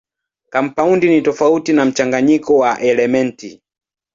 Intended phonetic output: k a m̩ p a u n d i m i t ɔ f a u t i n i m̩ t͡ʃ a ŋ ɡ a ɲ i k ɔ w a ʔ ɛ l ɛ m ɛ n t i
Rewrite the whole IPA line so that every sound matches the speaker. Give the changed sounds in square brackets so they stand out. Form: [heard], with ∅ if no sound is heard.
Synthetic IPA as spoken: k a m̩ p a u n d i [n] i t ɔ f a u t i n [a] m̩ t͡ʃ a ŋ ɡ a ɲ i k ɔ w a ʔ ɛ l ɛ m ɛ n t i

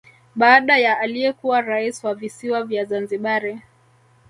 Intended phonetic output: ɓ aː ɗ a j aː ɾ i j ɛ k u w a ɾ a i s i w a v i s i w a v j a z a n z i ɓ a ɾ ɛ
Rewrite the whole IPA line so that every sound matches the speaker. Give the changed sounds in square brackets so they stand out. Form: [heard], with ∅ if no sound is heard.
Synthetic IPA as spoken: ɓ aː ɗ a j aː [l] i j ɛ k u w a ɾ a i s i w a v i s i w a v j a z a n z i ɓ a ɾ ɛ

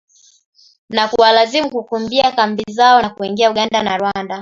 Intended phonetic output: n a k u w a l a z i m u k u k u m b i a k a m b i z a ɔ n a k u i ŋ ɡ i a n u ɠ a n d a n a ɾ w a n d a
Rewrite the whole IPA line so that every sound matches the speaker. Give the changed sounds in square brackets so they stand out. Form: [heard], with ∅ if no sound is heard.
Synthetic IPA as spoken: n a k u w a l a z i m u k u k u m b i a k a m b i z a ɔ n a k u i ŋ ɡ i a [∅] u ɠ a n d a n a ɾ w a n d a

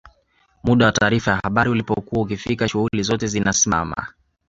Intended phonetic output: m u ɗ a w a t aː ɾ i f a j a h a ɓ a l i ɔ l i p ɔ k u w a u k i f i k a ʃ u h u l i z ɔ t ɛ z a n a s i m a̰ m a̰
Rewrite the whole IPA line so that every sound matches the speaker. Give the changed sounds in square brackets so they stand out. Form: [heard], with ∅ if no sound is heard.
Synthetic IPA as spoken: m u ɗ a w a t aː ɾ i f a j a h a ɓ a [ɾ] i [u] l i p ɔ k u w a u k i f i k a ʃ u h u l i z ɔ t ɛ z [i] n a s i m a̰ m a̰

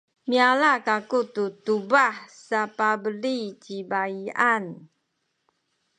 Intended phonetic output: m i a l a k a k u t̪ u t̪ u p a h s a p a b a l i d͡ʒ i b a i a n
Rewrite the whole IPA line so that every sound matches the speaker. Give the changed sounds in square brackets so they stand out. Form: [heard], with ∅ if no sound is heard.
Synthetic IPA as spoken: m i a l a k a k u t̪ u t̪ u [b] a h s a p a b [ə] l i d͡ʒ i b a i a n

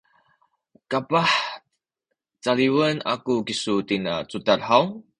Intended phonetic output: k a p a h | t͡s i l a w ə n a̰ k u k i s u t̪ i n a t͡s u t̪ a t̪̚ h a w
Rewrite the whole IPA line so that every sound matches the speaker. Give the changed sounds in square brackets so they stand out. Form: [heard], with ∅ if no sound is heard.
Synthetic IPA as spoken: k a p a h | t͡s [a] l [i] w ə n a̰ k u k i s u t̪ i n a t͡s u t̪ a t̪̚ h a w

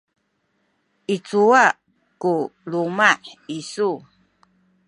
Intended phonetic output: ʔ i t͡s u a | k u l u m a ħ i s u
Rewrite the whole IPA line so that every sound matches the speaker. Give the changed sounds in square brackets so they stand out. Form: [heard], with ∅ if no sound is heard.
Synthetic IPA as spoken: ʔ i t͡s u a | k u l u m a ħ i s u

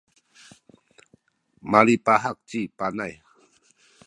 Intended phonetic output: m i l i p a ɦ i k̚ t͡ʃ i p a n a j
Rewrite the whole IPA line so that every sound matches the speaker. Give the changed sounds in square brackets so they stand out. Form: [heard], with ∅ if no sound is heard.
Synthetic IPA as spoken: m [a] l i p a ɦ [a] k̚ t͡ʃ i p a n a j

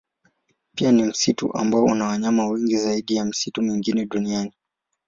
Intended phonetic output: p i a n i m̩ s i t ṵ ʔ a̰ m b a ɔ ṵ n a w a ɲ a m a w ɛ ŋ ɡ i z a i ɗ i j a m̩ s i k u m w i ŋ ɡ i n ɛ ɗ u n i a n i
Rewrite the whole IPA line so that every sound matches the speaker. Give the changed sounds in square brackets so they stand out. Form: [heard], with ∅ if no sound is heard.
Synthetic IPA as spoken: p i a n i m̩ s i t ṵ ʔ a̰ m b a ɔ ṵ n a w a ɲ a m a w ɛ ŋ ɡ i z a i ɗ i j a m̩ s i [t] u m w i ŋ ɡ i n ɛ ɗ u n i a n i

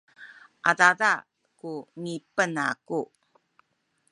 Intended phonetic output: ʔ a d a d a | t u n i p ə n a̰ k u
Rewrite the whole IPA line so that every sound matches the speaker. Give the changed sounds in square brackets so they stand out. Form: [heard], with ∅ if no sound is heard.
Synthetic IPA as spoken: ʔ a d a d a | [k] u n i p ə n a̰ k u

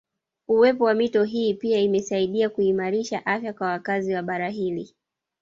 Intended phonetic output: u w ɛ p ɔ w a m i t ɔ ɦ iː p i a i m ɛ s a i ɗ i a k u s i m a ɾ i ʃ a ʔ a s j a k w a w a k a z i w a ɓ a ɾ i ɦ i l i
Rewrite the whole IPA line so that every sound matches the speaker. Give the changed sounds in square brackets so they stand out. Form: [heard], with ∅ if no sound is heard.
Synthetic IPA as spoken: u w ɛ p ɔ w a m i t ɔ ɦ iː p i a i m ɛ s a i ɗ i a k u [∅] i m a ɾ i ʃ a ʔ a [f] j a k w a w a k a z i w a ɓ a ɾ [a] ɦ i l i

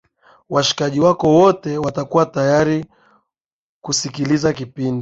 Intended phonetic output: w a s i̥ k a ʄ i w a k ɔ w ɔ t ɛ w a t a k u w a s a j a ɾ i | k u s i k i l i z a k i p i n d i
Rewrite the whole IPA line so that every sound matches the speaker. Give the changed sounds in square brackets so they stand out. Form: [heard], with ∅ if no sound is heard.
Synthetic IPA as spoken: w a [ʃ] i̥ k a ʄ i w a k ɔ w ɔ t ɛ w a t a k u w a [t] a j a ɾ i | k u s i k i l i z a k i p i n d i

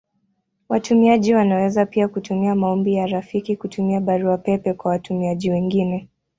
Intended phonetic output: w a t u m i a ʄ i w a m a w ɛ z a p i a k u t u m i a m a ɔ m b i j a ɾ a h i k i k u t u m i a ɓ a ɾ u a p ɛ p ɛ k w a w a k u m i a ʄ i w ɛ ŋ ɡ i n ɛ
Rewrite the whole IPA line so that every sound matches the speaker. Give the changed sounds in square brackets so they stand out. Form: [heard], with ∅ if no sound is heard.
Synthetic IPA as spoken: w a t u m i a ʄ i w a [n] a w ɛ z a p i a k u t u m i a m a ɔ m b i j a ɾ a [f] i k i k u t u m i a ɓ a ɾ u a p ɛ p ɛ k w a w a [t] u m i a ʄ i w ɛ ŋ ɡ i n ɛ

